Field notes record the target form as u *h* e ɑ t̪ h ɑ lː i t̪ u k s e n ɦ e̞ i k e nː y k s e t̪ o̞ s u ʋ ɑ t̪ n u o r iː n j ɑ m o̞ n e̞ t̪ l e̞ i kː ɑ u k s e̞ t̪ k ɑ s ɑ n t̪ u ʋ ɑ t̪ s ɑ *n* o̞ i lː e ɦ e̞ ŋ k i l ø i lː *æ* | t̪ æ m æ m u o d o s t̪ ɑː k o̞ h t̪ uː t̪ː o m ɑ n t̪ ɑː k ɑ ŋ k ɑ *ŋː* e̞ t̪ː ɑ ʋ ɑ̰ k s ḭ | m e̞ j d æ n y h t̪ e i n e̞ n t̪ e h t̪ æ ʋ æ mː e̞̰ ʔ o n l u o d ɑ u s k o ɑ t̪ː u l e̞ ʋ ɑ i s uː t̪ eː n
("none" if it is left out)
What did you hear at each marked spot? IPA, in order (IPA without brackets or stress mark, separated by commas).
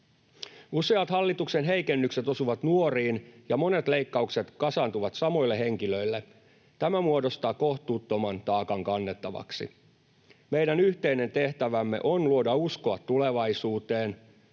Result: s, m, e, nː